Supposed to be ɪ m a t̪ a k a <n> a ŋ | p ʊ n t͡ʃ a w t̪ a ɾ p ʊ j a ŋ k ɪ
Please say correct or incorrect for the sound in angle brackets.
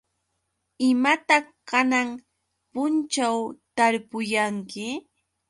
correct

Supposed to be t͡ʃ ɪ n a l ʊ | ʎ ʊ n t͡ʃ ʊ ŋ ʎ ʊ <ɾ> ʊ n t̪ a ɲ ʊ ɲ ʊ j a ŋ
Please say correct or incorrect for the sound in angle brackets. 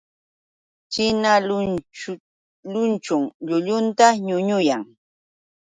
incorrect: ʎ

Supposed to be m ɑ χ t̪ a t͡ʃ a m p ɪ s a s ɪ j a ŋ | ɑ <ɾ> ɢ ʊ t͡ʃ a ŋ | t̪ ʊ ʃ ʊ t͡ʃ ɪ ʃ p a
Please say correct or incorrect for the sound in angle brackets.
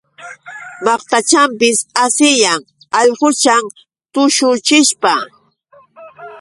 incorrect: ʎ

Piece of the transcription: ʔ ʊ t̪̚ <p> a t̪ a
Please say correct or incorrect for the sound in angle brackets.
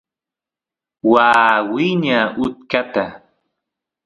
incorrect: k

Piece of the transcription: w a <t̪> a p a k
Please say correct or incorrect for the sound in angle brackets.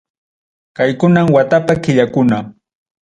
correct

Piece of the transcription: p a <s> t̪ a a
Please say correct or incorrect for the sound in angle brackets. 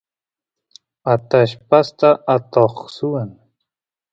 correct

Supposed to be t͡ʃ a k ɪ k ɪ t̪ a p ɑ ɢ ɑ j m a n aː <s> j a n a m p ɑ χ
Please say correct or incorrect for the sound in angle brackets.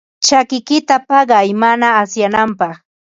correct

